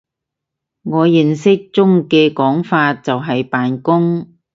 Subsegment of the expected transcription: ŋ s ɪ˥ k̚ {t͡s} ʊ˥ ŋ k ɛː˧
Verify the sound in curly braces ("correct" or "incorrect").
correct